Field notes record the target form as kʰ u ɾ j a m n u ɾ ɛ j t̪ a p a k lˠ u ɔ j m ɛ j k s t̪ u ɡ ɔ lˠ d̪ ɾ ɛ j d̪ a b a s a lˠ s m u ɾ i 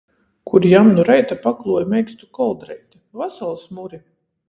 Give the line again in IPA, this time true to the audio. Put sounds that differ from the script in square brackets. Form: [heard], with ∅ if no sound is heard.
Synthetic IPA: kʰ u ɾ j a m n u ɾ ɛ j t̪ a p a k lˠ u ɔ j m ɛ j k s t̪ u [k] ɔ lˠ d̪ ɾ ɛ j [t̪] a [v] a s a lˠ s m u ɾ i